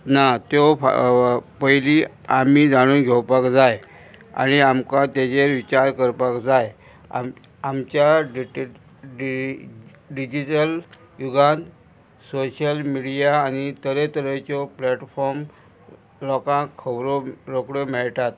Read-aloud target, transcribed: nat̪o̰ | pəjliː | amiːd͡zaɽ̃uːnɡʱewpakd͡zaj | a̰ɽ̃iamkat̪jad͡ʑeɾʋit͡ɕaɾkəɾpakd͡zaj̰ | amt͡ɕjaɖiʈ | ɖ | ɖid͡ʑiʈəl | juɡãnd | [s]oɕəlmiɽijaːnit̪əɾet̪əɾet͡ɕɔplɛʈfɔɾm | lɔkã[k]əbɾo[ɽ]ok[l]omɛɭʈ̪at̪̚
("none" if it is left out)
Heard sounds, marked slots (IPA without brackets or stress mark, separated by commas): s, kʰ, ɾ, ɽ